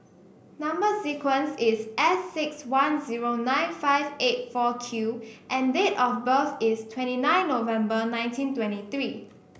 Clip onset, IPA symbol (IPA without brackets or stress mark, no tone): n